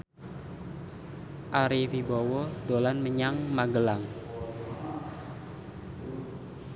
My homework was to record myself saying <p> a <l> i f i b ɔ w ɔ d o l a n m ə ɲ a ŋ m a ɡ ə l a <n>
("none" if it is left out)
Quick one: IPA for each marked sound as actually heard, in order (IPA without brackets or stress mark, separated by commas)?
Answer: ʔ, ɾ, ŋ